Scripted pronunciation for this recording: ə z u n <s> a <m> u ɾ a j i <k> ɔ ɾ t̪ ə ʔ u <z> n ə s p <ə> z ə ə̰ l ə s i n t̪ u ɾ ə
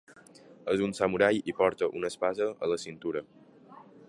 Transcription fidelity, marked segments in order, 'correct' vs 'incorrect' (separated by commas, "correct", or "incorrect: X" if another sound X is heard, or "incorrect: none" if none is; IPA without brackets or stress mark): correct, correct, incorrect: p, incorrect: none, incorrect: a